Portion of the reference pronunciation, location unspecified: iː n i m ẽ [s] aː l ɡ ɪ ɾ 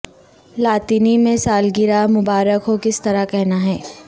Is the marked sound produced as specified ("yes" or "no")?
yes